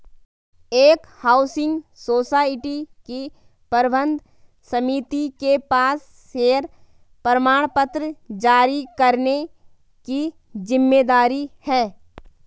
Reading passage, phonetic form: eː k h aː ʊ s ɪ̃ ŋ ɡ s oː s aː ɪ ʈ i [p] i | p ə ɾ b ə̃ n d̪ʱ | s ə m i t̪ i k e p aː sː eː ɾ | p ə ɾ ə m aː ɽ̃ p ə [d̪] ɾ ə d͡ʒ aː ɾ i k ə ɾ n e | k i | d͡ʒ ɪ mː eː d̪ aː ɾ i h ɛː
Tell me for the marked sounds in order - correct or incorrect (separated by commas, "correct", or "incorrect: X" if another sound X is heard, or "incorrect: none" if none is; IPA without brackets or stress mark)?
incorrect: k, incorrect: t̪